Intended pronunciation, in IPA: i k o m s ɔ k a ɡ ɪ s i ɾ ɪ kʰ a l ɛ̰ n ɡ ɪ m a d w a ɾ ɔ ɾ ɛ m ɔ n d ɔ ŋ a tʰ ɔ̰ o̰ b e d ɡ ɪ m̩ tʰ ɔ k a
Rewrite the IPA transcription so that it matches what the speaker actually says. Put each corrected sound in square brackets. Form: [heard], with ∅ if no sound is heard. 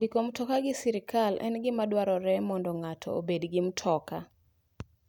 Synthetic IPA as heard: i k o m [t] ɔ k a ɡ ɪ s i ɾ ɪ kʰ a l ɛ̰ n ɡ ɪ m a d w a ɾ ɔ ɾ ɛ m ɔ n d ɔ ŋ a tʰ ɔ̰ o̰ b e d ɡ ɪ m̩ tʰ ɔ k a